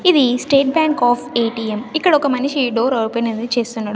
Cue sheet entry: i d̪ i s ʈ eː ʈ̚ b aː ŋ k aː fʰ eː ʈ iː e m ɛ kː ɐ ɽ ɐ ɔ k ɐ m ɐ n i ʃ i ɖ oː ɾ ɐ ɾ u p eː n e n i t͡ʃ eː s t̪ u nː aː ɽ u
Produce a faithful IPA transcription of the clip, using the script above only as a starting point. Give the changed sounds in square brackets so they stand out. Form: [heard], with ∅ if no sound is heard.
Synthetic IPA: i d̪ i s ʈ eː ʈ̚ b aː ŋ k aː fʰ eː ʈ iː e m [i] kː ɐ ɽ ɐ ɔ k ɐ m ɐ n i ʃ i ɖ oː ɾ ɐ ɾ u p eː n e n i t͡ʃ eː s t̪ u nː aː ɽ u